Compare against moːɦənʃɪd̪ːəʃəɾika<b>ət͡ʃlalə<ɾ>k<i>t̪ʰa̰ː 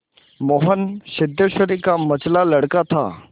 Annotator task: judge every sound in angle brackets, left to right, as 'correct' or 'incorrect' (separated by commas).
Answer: incorrect, incorrect, incorrect